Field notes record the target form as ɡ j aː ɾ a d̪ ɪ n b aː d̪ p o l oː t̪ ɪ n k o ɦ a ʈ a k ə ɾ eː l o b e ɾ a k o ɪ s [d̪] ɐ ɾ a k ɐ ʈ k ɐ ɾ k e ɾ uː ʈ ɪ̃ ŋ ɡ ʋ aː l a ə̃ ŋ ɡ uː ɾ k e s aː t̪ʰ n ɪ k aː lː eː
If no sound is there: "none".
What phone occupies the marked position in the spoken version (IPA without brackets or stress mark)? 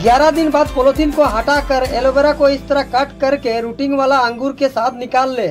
t̪